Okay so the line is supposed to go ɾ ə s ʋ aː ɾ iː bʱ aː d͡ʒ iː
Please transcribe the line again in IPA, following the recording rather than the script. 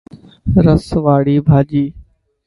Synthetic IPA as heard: ɾ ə s ʋ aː ɽ iː bʱ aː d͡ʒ iː

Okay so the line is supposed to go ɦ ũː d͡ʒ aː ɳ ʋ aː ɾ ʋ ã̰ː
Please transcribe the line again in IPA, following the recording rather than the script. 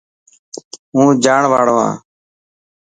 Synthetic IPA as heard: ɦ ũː d͡ʒ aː ɳ ʋ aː ɽ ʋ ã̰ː

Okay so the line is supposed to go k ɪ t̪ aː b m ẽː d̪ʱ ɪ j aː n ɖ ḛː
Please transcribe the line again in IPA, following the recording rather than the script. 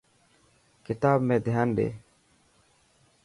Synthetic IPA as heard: k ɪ t̪ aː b m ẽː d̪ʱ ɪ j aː n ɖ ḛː

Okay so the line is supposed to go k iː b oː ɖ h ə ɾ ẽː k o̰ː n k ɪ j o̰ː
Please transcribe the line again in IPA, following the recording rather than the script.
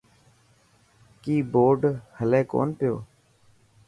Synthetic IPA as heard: k iː b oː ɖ h ə l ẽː k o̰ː n p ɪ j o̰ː

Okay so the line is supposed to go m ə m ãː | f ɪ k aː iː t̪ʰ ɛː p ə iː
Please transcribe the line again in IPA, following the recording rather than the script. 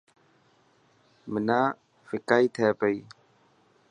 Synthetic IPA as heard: m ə n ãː | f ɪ k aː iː t̪ʰ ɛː p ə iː

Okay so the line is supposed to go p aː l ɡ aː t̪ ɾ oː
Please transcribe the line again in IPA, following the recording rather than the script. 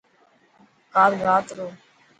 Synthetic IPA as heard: k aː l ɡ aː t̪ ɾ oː

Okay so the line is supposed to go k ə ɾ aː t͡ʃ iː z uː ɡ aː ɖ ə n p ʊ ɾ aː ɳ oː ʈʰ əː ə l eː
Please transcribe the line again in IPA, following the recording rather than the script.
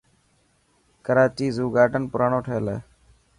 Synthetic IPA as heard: k ə ɾ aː t͡ʃ iː z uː ɡ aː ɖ ə n p ʊ ɾ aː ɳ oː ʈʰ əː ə l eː

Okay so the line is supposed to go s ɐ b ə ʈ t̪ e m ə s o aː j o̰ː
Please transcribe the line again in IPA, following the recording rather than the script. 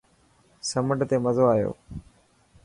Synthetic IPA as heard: s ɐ m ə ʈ t̪ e m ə z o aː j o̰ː

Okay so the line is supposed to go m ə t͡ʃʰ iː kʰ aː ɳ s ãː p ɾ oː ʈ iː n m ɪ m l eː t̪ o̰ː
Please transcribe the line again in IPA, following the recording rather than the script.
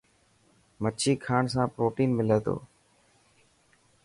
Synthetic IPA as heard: m ə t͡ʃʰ iː kʰ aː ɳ s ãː p ɾ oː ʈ iː n m ɪ l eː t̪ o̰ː

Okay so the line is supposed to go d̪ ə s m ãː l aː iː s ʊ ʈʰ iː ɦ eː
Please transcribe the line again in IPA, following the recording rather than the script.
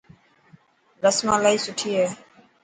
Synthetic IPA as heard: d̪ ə s m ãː l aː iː s ʊ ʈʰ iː ɦ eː

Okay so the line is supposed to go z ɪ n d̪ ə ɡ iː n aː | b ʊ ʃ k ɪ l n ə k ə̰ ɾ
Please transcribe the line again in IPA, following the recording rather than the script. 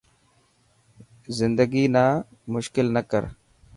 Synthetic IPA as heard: z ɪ n d̪ ə ɡ iː n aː | m ʊ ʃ k ɪ l n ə k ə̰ ɾ

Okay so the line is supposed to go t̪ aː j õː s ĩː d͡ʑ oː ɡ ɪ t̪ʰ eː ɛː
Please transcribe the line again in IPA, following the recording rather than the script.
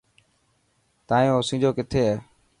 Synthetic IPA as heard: t̪ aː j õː s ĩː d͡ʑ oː k ɪ t̪ʰ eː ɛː

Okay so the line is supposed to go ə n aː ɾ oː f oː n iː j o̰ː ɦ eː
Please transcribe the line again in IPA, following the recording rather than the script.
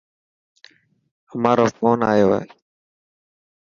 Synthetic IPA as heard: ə m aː ɾ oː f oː n aː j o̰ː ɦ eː

